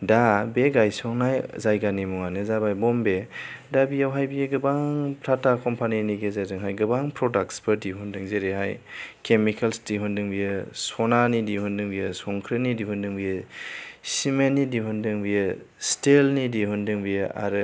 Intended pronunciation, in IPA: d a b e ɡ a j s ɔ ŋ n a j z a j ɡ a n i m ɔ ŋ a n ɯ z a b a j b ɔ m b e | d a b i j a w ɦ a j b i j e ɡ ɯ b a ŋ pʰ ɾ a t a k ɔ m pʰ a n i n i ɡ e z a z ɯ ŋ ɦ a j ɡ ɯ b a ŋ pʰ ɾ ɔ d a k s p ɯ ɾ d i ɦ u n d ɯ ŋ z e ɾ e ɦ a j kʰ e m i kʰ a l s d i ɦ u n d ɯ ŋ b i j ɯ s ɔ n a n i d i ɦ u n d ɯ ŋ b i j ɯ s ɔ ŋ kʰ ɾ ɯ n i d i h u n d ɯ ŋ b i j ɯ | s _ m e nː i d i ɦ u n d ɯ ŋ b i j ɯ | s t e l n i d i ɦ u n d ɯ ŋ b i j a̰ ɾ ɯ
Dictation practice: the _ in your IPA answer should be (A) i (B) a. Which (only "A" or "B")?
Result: A